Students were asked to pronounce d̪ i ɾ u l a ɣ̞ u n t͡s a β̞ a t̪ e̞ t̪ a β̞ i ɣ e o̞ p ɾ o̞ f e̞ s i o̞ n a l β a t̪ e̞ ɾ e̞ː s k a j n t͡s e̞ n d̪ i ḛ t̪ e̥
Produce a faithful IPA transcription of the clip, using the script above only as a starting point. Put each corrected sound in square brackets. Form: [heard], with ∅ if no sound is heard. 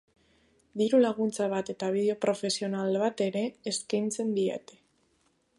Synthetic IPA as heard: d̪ i ɾ u l a ɣ̞ u n t͡s a β̞ a t̪ e̞ t̪ a β̞ i [ð] e o̞ p ɾ o̞ f e̞ s i o̞ n a l β a t̪ e̞ ɾ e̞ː s k a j n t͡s e̞ n d̪ i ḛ t̪ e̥